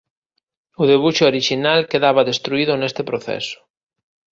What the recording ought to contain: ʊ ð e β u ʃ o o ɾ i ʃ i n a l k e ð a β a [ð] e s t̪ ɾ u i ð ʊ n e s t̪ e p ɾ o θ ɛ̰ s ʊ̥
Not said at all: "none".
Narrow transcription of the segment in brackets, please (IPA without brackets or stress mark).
ð